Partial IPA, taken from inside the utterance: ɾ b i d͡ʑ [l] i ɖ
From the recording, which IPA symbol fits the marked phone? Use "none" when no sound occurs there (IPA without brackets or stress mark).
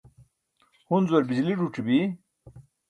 l